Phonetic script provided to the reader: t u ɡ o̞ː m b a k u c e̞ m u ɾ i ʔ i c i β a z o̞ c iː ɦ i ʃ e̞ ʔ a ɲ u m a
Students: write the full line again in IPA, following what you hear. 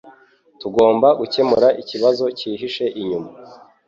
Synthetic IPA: t u ɡ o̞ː m b a ɡ u c e̞ m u ɾ a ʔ i c i β a z o̞ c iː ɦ i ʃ e̞ ʔ i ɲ u m a

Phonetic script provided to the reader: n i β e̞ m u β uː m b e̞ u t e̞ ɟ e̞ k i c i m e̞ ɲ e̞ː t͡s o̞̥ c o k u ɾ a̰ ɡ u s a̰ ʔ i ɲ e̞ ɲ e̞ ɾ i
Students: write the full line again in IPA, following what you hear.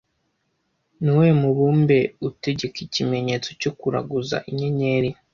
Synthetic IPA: n i w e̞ m u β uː m b e̞ u t e̞ ɟ e̞ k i c i m e̞ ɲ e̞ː t͡s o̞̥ c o k u ɾ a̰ ɡ u z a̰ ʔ i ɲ e̞ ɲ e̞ ɾ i

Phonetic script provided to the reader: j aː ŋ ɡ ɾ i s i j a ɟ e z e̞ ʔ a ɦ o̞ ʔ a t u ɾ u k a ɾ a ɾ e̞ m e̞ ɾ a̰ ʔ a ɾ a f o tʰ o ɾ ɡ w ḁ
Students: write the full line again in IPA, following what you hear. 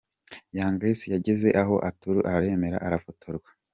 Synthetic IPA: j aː ŋ ɡ ɾ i s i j a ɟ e z e̞ ʔ a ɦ o̞ ʔ a t u ɾ u ʔ a ɾ a ɾ e̞ m e̞ ɾ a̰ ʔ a ɾ a f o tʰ o ɾ ɡ w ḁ

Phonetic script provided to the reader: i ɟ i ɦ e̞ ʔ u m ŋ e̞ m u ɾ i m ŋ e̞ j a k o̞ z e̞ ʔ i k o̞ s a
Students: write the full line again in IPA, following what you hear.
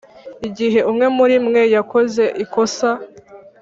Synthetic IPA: i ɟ i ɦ e̞ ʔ u m ŋ e̞ m u ɾ i m ŋ e̞ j a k o̞ z e̞ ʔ i k o̞ s a

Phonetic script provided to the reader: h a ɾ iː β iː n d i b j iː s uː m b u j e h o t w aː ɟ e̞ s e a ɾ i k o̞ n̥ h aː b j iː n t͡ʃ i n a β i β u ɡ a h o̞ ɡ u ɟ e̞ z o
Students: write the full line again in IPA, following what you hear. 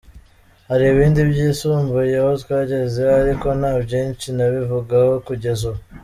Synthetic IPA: h a ɾ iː β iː n d i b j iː s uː m b u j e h o t w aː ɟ e̞ z e a ɾ i k o̞ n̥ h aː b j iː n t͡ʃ i n a β i v u ɡ a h o̞ k u ɟ e̞ z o

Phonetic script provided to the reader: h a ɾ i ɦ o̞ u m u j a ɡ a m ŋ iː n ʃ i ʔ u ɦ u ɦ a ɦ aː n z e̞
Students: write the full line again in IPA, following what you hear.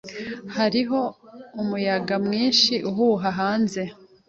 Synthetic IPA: h a ɾ i ɦ o̞ u m u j a ɡ a m ŋ iː n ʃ i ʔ u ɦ u ɦ a ɦ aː n z e̞

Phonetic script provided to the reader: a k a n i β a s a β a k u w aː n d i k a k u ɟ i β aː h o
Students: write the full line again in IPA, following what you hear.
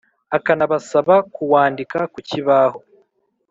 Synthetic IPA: a k a n a β a s a β a k u w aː n d i k a k u c i β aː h o

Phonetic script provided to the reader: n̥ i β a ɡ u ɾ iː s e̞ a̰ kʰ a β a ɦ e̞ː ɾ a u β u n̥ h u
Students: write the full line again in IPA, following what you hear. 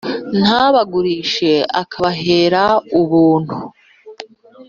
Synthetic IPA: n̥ a β a ɡ u ɾ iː ʃ e̞ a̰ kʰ a β a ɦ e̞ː ɾ a u β uː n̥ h u

